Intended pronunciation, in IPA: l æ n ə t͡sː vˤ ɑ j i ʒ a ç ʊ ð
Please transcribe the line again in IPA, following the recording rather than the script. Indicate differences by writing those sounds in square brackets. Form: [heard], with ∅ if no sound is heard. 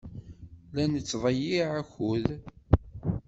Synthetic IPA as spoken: l æ n ə t͡sː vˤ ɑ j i [ʕ] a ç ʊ ð